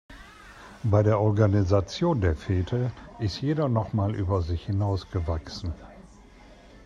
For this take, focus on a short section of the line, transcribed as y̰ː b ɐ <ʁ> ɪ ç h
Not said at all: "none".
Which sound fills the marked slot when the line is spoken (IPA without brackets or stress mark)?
z